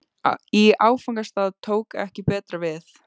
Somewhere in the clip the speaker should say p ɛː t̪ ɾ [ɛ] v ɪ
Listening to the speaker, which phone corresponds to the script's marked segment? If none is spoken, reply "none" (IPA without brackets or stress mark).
a